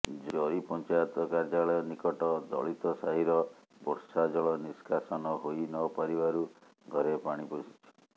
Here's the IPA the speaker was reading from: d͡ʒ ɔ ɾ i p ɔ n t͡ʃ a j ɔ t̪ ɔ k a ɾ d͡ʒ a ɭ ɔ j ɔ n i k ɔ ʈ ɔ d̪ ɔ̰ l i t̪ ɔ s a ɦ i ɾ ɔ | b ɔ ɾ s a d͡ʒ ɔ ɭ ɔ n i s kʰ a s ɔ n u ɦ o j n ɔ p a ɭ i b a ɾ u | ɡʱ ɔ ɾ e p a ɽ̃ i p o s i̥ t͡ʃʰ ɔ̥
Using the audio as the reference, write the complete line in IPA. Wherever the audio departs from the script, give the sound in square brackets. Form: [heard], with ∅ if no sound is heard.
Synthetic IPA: d͡ʒ ɔ ɾ i p ɔ n t͡ʃ a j ɔ t̪ ɔ k a ɾ d͡ʒ a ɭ ɔ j ɔ n i k ɔ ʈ ɔ d̪ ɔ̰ [ɭ] i t̪ ɔ s a ɦ i ɾ ɔ | b ɔ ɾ s a d͡ʒ ɔ ɭ ɔ n i s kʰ a s ɔ n [ɔ] ɦ o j n ɔ p a [ɾ] i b a ɾ u | ɡʱ ɔ ɾ e p a ɽ̃ i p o s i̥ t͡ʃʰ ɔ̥

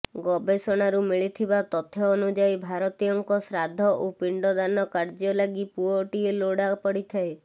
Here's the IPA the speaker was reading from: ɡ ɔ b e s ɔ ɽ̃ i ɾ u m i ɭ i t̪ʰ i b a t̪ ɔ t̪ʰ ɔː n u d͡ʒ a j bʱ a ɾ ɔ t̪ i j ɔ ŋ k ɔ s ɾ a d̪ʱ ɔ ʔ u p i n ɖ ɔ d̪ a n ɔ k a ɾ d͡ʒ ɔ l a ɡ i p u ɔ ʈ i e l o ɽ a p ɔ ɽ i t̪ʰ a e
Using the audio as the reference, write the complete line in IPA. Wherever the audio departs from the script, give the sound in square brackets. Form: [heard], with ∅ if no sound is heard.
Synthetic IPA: ɡ ɔ b e s ɔ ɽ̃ [a] ɾ u m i ɭ i t̪ʰ i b a t̪ ɔ t̪ʰ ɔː n u d͡ʒ a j bʱ a ɾ ɔ t̪ i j ɔ ŋ k ɔ s ɾ a d̪ʱ ɔ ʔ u p i [ɳ] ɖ ɔ d̪ a n ɔ k a ɾ d͡ʒ ɔ l a ɡ i p u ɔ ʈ i e l o ɽ a p ɔ ɽ i t̪ʰ a e

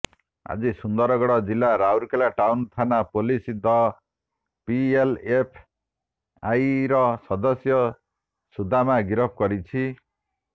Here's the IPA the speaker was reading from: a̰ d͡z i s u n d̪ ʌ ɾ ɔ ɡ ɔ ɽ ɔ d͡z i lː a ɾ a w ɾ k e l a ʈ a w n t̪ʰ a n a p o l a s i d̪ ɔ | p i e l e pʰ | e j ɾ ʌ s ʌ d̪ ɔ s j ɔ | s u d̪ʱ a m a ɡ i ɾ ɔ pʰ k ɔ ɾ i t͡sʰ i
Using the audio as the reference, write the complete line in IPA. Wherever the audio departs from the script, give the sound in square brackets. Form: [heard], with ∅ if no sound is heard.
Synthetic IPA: a̰ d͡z i s u n d̪ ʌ ɾ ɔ ɡ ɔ ɽ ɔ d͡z i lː a ɾ a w ɾ k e l a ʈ a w n t̪ʰ a n a p o l [i] s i d̪ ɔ | p i e l e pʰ | [a] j ɾ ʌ s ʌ d̪ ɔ s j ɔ | s u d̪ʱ a m a ɡ i ɾ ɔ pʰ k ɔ ɾ i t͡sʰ i

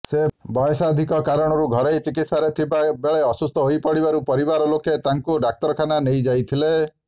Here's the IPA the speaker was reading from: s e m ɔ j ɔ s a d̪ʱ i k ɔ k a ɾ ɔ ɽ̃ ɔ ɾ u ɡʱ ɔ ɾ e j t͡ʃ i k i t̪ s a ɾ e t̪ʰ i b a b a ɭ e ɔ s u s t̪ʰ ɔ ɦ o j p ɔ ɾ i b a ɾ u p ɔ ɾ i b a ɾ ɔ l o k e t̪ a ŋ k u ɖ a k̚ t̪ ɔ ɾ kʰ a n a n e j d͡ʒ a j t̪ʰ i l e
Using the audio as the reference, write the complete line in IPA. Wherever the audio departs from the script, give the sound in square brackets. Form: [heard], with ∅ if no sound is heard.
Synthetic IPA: s e [b] ɔ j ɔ s a d̪ʱ i k ɔ k a ɾ ɔ ɽ̃ ɔ ɾ u ɡʱ ɔ ɾ e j t͡ʃ i k i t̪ s a ɾ e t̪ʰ i b a b [e] ɭ e ɔ s u s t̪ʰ ɔ ɦ o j p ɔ [ɽ] i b a ɾ u p ɔ ɾ i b a ɾ ɔ l o k e t̪ a ŋ k u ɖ a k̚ t̪ ɔ ɾ kʰ a n a n e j d͡ʒ a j t̪ʰ i l e

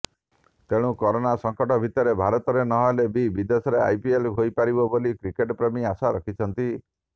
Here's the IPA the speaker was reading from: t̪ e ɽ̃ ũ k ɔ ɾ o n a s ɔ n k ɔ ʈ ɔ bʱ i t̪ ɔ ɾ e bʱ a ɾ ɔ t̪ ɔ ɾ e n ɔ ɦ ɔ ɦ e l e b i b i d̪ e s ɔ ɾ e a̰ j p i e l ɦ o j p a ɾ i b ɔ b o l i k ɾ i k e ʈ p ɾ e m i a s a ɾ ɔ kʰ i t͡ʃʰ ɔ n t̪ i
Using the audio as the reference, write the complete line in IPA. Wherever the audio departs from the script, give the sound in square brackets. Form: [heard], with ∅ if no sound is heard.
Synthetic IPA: t̪ e ɽ̃ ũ k ɔ ɾ o n a s ɔ [ŋ] k ɔ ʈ ɔ bʱ i t̪ ɔ ɾ e bʱ a ɾ ɔ t̪ ɔ ɾ e n ɔ ɦ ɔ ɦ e l e b i b i d̪ e s ɔ ɾ e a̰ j p i e l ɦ o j p a ɾ i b ɔ b o l i k ɾ i k e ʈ p ɾ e m i a s a ɾ ɔ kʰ i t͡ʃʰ ɔ n t̪ i

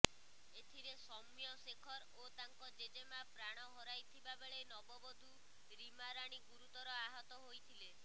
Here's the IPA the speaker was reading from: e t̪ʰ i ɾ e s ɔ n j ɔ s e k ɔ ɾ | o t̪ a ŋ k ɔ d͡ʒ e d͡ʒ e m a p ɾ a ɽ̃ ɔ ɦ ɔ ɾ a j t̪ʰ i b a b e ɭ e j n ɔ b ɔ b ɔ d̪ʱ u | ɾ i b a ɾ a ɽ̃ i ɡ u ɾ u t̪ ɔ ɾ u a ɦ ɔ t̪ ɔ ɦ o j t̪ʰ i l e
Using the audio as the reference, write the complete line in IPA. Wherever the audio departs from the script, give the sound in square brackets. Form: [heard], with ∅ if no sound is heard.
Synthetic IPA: e t̪ʰ i ɾ e s ɔ [m] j ɔ s e [kʰ] ɔ ɾ | o t̪ a ŋ k ɔ d͡ʒ e d͡ʒ e m a p ɾ a ɽ̃ ɔ ɦ ɔ ɾ a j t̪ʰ i b a b e ɭ e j n ɔ b ɔ b ɔ d̪ʱ u | ɾ i [m] a ɾ a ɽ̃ i ɡ u ɾ u t̪ ɔ ɾ [ɔ] a ɦ ɔ t̪ ɔ ɦ o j t̪ʰ i l e

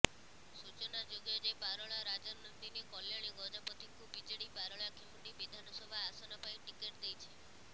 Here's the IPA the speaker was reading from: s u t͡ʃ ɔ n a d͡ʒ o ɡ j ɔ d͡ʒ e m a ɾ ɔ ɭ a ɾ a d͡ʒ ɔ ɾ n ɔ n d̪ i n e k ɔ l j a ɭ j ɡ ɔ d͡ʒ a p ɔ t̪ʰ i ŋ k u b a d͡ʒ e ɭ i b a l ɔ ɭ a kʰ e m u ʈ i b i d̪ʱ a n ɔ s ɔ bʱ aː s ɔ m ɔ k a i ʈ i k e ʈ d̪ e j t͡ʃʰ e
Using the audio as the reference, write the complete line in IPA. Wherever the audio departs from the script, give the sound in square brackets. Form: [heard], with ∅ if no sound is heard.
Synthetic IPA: s u t͡ʃ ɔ n a d͡ʒ o ɡ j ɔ d͡ʒ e [b] a ɾ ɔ ɭ a ɾ a d͡ʒ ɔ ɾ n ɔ n d̪ i n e k ɔ l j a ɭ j ɡ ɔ d͡ʒ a p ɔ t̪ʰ i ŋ k u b [i] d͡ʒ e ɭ i b a [ɾ] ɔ ɭ a kʰ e m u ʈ i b i d̪ʱ a n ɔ s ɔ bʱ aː s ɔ [n] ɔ [p] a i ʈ i k e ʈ d̪ e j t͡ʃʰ e

